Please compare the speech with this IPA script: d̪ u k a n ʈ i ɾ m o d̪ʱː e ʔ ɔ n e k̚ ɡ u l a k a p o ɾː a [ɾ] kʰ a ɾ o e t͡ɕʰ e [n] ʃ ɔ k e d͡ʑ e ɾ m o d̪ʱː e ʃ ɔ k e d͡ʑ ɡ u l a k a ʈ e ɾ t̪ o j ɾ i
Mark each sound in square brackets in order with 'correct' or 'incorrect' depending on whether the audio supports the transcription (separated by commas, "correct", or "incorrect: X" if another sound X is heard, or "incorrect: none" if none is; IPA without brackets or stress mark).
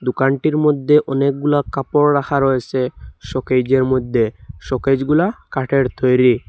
incorrect: none, incorrect: none